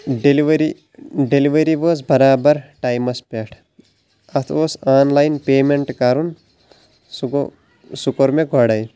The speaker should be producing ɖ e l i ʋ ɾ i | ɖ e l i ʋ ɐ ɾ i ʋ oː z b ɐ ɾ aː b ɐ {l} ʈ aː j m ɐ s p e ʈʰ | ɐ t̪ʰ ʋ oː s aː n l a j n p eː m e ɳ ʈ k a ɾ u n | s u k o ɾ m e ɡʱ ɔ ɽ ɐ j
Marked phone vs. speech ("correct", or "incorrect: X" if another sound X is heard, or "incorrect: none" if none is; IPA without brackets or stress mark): incorrect: ɾ